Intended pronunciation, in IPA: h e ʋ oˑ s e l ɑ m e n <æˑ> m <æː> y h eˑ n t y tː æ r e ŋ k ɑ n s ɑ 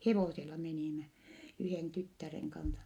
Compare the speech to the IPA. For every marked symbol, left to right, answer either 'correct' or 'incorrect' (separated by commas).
incorrect, incorrect